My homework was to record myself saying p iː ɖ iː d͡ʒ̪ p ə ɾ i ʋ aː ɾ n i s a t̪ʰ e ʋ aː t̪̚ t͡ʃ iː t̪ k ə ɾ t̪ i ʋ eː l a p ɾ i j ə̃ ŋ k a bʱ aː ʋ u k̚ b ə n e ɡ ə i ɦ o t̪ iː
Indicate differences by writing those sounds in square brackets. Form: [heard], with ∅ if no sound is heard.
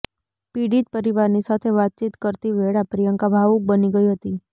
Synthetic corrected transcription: p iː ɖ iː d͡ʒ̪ p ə ɾ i ʋ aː ɾ n i s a t̪ʰ e ʋ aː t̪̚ t͡ʃ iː t̪ k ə ɾ t̪ i ʋ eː [ɽ] a p ɾ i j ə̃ ŋ k a bʱ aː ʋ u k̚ b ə n [i] ɡ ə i ɦ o t̪ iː